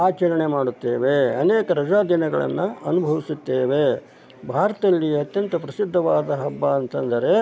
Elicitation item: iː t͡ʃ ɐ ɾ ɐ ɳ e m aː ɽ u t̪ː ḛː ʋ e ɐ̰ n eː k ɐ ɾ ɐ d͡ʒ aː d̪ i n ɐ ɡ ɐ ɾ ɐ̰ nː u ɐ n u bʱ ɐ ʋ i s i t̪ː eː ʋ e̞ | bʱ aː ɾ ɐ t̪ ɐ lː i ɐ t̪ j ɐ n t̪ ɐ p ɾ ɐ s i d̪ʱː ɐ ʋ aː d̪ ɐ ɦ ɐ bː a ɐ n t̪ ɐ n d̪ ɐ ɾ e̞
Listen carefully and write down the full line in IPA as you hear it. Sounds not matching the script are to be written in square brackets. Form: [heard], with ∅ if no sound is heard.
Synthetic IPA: [aː] t͡ʃ ɐ ɾ ɐ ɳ e m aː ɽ u t̪ː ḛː ʋ e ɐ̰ n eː k ɐ ɾ ɐ d͡ʒ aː d̪ i n ɐ ɡ ɐ [ɭ] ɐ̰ nː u ɐ n u bʱ ɐ ʋ i s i t̪ː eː ʋ e̞ | bʱ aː ɾ ɐ t̪ ɐ lː i ɐ t̪ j ɐ n t̪ ɐ p ɾ ɐ s i d̪ʱː ɐ ʋ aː d̪ ɐ ɦ ɐ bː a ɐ n t̪ ɐ n d̪ ɐ ɾ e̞